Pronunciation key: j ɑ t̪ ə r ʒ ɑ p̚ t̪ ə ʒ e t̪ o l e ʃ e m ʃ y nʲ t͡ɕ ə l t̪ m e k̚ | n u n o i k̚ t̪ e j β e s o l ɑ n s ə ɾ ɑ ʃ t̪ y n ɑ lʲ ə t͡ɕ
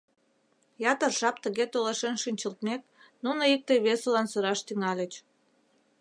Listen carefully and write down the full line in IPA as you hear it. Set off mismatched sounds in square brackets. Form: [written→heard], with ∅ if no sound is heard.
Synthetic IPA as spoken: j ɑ t̪ ə r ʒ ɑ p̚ t̪ ə [ʒ→ɣ] e t̪ o l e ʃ e [m→n] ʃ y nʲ t͡ɕ ə l t̪ m e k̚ | n u n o i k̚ t̪ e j β e s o l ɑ n s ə ɾ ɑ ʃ t̪ y [n→ŋ] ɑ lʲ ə t͡ɕ